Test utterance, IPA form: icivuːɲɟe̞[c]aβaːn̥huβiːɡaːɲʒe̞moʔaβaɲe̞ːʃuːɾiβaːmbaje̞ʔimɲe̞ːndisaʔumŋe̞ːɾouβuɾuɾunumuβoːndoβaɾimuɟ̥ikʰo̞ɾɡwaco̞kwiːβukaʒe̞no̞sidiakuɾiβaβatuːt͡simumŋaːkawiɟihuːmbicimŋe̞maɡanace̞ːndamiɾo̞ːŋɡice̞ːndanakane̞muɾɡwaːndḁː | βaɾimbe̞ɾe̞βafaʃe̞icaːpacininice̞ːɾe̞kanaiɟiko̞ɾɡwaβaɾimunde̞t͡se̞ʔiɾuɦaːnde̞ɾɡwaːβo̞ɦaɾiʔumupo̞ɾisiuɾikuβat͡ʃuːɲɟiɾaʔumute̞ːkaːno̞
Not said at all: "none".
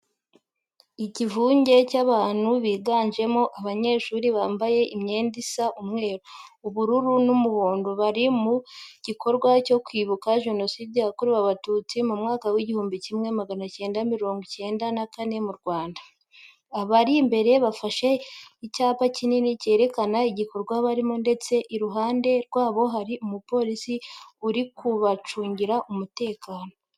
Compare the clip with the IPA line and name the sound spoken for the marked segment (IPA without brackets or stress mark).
c